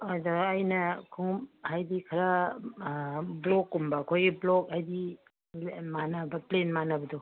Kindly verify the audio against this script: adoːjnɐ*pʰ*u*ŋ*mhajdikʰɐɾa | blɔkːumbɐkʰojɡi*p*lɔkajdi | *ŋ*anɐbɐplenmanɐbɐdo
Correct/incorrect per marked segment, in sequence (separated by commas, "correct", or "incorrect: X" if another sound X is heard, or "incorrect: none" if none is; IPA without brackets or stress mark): incorrect: kʰ, correct, incorrect: b, incorrect: m